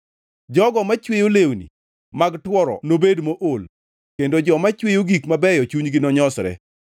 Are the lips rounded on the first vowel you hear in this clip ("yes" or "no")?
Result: yes